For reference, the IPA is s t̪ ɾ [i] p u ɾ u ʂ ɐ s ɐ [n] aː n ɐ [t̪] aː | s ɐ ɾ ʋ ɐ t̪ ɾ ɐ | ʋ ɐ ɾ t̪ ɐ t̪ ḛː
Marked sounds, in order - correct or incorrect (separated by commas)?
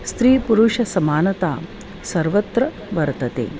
incorrect, incorrect, correct